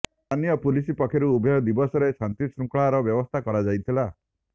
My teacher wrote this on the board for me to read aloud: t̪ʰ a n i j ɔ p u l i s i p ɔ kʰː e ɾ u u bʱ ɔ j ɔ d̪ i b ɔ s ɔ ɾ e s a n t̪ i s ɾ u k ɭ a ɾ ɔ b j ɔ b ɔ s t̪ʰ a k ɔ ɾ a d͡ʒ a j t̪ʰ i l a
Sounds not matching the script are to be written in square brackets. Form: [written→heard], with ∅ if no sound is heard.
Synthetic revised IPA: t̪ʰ a n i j ɔ p u l i s i p ɔ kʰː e ɾ u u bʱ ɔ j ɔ d̪ i b ɔ s ɔ ɾ e s a n t̪ i s ɾ u k ɭ a ɾ ɔ b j ɔ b ɔ s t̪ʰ a k ɔ ɾ a d͡ʒ a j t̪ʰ i l a